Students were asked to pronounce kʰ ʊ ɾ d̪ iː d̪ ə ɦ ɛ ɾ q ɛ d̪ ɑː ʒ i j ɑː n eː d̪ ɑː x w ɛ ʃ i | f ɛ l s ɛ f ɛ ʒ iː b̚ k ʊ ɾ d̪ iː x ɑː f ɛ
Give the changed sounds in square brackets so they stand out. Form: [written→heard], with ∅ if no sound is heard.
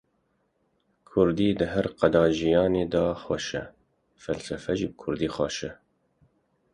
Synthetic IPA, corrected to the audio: kʰ ʊ ɾ d̪ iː d̪ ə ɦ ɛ ɾ q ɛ d̪ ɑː ʒ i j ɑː n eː d̪ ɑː x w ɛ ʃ [i→ɛ] | f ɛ l s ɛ f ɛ ʒ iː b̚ [k→kʰ] ʊ ɾ d̪ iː x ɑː [f→ʃ] ɛ

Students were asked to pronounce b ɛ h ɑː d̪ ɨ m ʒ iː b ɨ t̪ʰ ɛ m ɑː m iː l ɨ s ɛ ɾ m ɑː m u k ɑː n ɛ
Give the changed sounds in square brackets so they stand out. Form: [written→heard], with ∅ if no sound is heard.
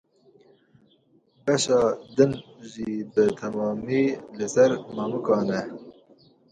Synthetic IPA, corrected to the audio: b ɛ [h→ʃ] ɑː d̪ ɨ [m→n] ʒ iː b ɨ t̪ʰ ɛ m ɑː m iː l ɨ s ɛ ɾ m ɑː m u k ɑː n ɛ

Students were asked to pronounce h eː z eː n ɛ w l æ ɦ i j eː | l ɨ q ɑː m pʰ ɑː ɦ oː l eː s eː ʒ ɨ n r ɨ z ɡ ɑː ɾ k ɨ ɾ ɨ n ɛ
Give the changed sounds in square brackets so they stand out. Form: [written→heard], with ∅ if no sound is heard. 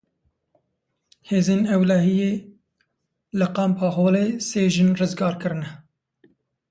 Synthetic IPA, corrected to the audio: h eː z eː n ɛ w l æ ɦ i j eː | l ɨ q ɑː m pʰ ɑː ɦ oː l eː s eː ʒ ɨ n r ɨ z ɡ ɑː ɾ k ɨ ɾ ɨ n ɛ

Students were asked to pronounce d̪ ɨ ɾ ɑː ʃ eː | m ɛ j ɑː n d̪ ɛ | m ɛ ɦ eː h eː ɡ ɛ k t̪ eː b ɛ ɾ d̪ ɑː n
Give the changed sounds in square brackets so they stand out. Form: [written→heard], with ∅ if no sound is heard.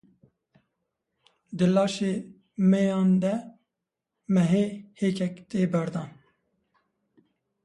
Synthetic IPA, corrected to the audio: d̪ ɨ [ɾ→l] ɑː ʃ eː | m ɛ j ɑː n d̪ ɛ | m ɛ ɦ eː h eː [ɡ→k] ɛ k t̪ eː b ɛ ɾ d̪ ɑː n

